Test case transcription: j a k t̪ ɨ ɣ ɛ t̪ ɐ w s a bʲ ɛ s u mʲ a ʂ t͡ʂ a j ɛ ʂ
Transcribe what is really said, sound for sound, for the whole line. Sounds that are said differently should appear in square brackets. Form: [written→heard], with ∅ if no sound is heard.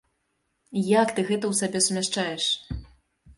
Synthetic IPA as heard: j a k t̪ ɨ ɣ ɛ t̪ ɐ w s a bʲ ɛ s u mʲ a ʂ t͡ʂ a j ɛ ʂ

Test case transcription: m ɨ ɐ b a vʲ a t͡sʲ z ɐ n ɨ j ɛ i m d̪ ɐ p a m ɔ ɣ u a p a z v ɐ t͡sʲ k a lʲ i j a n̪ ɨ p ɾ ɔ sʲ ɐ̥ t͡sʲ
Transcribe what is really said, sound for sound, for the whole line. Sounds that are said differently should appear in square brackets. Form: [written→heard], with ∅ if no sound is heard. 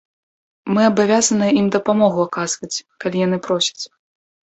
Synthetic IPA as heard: m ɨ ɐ b a vʲ a [t͡sʲ→∅] z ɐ n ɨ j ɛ i m d̪ ɐ p a m ɔ ɣ u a [p→k] a z v ɐ t͡sʲ k a lʲ i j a n̪ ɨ p ɾ ɔ sʲ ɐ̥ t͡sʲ

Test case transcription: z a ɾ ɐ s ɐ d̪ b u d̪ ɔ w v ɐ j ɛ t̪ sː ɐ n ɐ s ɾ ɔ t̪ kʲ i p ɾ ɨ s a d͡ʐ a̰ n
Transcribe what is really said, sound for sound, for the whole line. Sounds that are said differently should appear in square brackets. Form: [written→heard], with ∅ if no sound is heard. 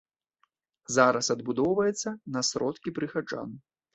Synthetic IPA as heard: z a ɾ ɐ s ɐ d̪ b u d̪ ɔ w v ɐ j ɛ t̪ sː ɐ n ɐ s ɾ ɔ t̪ kʲ i p ɾ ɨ [s→x] a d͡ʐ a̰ n

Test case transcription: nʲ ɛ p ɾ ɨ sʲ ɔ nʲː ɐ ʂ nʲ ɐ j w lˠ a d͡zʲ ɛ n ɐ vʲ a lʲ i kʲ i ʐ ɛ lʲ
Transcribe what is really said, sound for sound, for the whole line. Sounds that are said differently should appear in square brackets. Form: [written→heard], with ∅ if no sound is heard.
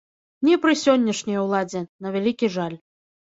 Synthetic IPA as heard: nʲ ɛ p ɾ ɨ sʲ ɔ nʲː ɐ ʂ nʲ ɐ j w lˠ a d͡zʲ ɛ n ɐ vʲ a lʲ i kʲ i ʐ [ɛ→a] lʲ

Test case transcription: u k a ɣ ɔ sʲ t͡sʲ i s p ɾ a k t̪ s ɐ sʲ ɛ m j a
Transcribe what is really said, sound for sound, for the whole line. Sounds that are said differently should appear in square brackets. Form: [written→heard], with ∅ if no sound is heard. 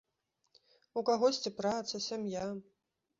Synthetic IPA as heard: u k a ɣ ɔ sʲ t͡sʲ i [s→∅] p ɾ a [k→∅] t̪ s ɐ sʲ [ɛ→a] m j a

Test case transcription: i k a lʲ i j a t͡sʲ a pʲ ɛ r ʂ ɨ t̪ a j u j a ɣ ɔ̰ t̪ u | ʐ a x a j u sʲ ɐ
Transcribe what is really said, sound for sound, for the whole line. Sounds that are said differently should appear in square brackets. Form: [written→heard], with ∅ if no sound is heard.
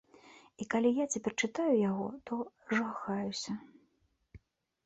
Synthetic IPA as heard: i k a lʲ i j a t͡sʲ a pʲ ɛ r [ʂ→t͡ʂ] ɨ t̪ a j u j a ɣ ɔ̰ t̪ [u→ɔ] | ʐ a x a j u sʲ ɐ

